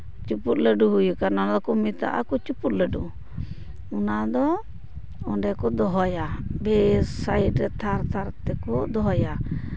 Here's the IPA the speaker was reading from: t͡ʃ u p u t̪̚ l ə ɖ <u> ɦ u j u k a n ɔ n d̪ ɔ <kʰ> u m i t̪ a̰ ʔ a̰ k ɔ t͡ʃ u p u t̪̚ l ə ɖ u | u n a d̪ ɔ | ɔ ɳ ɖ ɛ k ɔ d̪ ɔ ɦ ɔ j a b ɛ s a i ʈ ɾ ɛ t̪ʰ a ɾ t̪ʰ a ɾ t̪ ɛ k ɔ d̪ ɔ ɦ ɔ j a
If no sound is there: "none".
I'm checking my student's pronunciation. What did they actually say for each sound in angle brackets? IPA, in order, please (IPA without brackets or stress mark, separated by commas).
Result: u, k